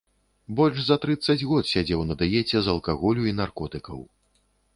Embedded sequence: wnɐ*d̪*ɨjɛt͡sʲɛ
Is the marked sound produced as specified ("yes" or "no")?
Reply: yes